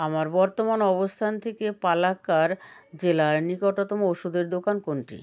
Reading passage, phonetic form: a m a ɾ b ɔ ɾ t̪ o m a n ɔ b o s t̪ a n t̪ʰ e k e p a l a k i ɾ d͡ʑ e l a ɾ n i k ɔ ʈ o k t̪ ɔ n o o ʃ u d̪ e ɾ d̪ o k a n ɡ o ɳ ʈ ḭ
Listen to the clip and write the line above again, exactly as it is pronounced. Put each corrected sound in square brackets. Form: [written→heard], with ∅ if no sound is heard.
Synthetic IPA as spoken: a m a ɾ b ɔ ɾ t̪ o m a n ɔ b o s [t̪→t̪ʰ] a n t̪ʰ e k e p a l a k [i→a] ɾ d͡ʑ e l a ɾ n i k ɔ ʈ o [k→∅] t̪ ɔ [n→m] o o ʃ u d̪ e ɾ d̪ o k a n [ɡ→k] o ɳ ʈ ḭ